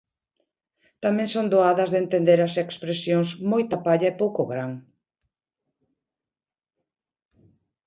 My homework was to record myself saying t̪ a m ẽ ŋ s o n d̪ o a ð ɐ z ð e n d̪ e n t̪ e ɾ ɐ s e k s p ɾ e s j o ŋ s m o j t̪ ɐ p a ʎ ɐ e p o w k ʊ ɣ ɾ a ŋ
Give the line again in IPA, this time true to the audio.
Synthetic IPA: t̪ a m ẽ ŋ s o n d̪ o a ð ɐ z ð e n t̪ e n d̪ e ɾ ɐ s e k s p ɾ e s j o ŋ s m o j t̪ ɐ p a ʎ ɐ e p o w k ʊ ɣ ɾ a ŋ